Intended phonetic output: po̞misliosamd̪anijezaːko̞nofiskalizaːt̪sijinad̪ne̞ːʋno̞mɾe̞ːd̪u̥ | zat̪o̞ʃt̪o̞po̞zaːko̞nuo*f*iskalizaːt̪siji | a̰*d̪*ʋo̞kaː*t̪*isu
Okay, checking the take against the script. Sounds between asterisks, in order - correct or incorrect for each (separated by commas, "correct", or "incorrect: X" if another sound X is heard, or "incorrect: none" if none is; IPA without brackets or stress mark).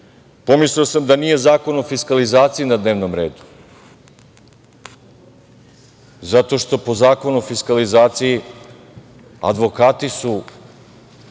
correct, correct, correct